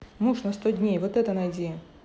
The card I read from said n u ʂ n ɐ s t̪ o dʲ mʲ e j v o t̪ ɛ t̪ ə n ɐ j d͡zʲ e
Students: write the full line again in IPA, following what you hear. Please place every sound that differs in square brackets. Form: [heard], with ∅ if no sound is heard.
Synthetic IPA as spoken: [m] u ʂ n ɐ s t̪ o dʲ [nʲ] e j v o t̪ ɛ t̪ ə n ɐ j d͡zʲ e